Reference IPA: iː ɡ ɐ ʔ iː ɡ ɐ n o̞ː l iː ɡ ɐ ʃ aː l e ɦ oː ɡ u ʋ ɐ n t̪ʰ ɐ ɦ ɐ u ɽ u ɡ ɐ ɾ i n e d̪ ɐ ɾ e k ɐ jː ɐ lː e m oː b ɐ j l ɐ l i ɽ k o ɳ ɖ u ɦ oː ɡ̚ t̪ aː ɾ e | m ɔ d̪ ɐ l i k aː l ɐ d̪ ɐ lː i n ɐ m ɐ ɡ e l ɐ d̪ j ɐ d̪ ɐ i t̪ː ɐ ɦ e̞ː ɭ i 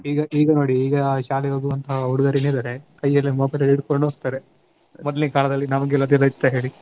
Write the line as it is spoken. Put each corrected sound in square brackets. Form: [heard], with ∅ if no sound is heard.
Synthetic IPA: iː ɡ ɐ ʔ iː ɡ ɐ n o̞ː [ɽ] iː ɡ ɐ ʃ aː l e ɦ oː ɡ u ʋ ɐ n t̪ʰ ɐ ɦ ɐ u ɽ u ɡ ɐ ɾ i n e d̪ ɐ ɾ e k ɐ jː ɐ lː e m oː b ɐ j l ɐ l i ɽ k o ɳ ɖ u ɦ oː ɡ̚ t̪ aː ɾ e | m ɔ d̪ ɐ l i k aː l ɐ d̪ ɐ lː i n ɐ m ɐ ɡ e l ɐ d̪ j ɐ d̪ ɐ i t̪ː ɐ ɦ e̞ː ɭ i